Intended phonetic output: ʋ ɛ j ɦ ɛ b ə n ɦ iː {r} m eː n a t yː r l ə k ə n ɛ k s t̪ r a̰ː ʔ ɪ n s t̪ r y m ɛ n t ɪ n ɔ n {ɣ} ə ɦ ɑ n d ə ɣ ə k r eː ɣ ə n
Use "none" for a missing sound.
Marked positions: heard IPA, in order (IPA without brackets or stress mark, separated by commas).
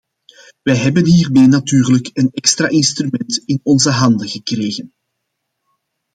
r, z